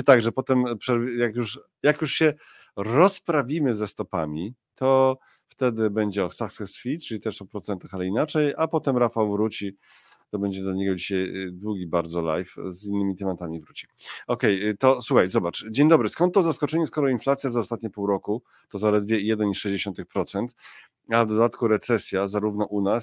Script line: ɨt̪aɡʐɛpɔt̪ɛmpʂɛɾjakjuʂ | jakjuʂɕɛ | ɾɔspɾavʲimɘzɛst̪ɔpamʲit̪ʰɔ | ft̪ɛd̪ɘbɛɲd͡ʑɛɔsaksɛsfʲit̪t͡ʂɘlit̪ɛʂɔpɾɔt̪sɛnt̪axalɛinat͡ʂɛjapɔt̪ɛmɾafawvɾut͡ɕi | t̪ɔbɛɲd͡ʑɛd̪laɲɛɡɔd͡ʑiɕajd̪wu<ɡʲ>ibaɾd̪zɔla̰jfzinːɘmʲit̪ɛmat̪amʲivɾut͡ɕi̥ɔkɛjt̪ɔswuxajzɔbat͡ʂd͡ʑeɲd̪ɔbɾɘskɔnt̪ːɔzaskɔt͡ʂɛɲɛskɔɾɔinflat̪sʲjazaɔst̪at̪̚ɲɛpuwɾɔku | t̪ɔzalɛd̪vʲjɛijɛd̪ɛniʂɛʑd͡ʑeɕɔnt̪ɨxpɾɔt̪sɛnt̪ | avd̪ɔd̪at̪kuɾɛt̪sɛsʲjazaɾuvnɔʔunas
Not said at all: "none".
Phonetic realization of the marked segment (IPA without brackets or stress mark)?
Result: ɡʲ